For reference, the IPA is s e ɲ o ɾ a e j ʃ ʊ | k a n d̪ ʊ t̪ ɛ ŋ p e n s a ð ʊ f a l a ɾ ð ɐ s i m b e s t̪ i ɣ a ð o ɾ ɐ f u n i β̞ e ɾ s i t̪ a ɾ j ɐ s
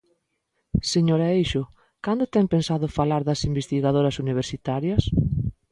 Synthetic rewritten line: s e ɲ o ɾ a e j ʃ ʊ | k a n d̪ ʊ t̪ ɛ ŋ p e n s a ð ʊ f a l a ɾ ð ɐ s i m b e s t̪ i ɣ a ð o ɾ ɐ s u n i β̞ e ɾ s i t̪ a ɾ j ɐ s